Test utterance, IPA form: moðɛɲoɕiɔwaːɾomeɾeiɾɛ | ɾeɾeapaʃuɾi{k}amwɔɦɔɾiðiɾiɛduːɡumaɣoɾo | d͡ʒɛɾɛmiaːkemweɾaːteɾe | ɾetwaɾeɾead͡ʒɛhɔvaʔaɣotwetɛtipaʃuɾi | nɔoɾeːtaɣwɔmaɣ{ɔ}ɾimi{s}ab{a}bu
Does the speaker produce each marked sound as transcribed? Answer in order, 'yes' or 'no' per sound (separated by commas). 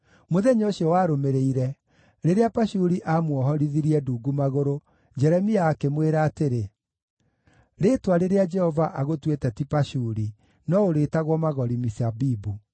no, yes, yes, no